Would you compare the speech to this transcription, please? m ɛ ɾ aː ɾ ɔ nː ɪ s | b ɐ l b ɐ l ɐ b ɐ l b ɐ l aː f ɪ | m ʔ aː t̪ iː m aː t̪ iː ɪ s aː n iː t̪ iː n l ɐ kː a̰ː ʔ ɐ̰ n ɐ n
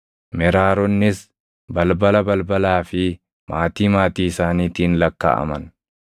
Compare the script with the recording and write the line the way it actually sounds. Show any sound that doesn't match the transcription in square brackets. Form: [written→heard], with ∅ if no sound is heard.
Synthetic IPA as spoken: m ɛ ɾ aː ɾ ɔ nː ɪ s | b ɐ l b ɐ l ɐ b ɐ l b ɐ l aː f ɪ | m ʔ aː t̪ iː m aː t̪ iː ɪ s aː n iː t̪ iː n l ɐ kː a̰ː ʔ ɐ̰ [n→m] ɐ n